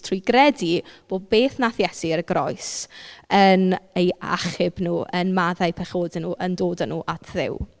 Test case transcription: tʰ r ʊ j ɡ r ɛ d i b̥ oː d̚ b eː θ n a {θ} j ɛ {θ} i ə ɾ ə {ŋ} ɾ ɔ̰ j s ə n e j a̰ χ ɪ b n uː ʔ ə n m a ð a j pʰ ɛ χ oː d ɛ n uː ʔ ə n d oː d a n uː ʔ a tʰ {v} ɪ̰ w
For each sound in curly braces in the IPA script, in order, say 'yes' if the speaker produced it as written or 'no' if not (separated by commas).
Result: yes, no, no, no